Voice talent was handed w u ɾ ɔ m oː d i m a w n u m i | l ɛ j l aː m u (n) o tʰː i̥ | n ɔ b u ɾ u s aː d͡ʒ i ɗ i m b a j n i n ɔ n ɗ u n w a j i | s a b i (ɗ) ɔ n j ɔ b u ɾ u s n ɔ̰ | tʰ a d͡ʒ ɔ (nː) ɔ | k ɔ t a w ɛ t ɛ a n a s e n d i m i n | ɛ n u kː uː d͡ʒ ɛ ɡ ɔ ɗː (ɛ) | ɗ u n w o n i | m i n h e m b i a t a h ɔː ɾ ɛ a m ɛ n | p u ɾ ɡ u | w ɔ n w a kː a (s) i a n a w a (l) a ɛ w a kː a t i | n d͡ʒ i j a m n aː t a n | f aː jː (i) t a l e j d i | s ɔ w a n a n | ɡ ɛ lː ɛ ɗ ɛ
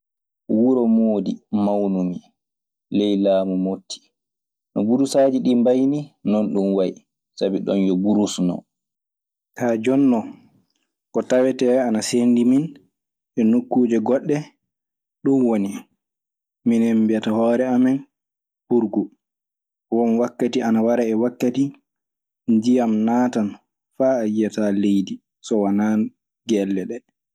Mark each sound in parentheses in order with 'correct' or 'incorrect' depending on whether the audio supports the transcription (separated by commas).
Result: incorrect, correct, correct, correct, incorrect, incorrect, incorrect